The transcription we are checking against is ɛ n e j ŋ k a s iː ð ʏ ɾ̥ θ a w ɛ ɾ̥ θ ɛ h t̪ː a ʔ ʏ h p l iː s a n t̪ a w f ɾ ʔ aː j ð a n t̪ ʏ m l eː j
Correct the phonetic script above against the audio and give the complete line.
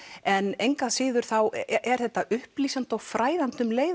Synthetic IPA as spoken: ɛ n e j ŋ k a s ɪː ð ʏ ɾ̥ θ a w ɛ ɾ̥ θ ɛ h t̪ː a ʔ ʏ h p l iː s a n t̪ a w f ɾ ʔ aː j ð a n t̪ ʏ m l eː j